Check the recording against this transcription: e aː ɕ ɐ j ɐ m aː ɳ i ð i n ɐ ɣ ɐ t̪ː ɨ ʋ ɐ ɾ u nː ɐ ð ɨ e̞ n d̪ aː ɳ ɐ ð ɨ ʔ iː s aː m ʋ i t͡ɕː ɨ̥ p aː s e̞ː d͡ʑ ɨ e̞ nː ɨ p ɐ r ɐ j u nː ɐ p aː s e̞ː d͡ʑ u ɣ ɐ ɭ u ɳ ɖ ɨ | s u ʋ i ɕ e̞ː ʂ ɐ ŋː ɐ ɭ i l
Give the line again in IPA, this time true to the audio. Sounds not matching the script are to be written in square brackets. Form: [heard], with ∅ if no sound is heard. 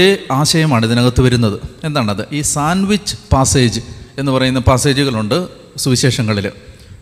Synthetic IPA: e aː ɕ ɐ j ɐ m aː ɳ i ð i n ɐ ɣ ɐ t̪ː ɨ ʋ ɐ ɾ u nː ɐ ð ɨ e̞ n d̪ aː ɳ ɐ ð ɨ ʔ iː s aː [n] ʋ i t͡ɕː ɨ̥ p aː s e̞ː d͡ʑ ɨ e̞ nː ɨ p ɐ r ɐ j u nː ɐ p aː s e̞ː d͡ʑ u ɣ ɐ ɭ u ɳ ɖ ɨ | s u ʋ i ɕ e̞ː ʂ ɐ ŋː ɐ ɭ i l